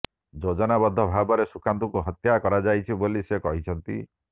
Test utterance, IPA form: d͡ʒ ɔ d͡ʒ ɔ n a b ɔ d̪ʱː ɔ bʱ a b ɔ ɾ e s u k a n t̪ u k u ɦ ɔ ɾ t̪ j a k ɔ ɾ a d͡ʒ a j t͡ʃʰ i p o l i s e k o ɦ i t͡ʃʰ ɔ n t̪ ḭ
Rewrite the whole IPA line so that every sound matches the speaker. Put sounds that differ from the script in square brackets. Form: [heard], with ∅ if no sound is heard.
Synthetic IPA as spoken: d͡ʒ [o] d͡ʒ ɔ n a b ɔ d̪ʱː ɔ bʱ a b ɔ ɾ e s u k a n t̪ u k u ɦ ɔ [∅] t̪ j a k ɔ ɾ a d͡ʒ a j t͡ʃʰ i [b] o l i s e k [ɔ] ɦ i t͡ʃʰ ɔ n t̪ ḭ